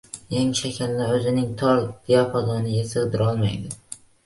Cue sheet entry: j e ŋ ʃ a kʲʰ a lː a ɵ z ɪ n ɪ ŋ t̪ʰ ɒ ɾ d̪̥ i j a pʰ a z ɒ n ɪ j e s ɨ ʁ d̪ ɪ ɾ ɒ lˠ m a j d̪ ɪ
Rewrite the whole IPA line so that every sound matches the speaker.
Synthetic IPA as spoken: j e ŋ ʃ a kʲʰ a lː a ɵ z ɪ n ɪ ŋ t̪ʰ ɒ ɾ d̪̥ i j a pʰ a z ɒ n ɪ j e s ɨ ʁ d̪ ɪ ɾ ɒ lˠ m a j d̪ ɪ

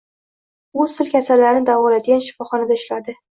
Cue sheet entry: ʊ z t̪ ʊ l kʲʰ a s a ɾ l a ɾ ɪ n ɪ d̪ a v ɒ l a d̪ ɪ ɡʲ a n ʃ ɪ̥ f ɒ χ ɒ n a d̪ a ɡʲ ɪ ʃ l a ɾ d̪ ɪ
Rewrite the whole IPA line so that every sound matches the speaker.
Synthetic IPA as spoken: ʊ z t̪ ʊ l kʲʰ a s a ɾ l a ɾ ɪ n ɪ d̪ a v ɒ l a d̪ ɪ ɡʲ a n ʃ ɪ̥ f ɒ χ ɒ n a d̪ a ɪ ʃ l a ɾ d̪ ɪ

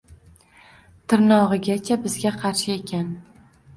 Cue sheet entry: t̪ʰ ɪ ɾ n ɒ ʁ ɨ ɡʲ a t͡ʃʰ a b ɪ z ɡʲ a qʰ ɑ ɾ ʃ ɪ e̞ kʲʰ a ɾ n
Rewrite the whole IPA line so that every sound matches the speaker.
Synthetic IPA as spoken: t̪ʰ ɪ ɾ n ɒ ʁ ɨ ɡʲ a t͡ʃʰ a b ɪ z ɡʲ a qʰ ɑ ɾ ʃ ɪ e̞ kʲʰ a n

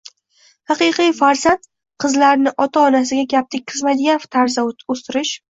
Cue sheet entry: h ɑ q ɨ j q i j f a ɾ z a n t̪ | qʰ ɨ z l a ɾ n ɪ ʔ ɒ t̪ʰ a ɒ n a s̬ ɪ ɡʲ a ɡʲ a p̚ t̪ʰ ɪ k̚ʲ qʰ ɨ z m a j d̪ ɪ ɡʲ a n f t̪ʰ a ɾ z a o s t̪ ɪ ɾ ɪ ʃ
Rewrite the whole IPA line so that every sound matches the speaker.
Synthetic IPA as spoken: h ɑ q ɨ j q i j f a ɾ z a n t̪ | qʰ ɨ z l a ɾ n ɪ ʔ ɒ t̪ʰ a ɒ n a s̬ ɪ ɡʲ a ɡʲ a p̚ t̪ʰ ɪ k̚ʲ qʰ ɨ z m a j d̪ ɪ ɡʲ a n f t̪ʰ a ɾ z a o s t̪ ɪ ɾ ɪ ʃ

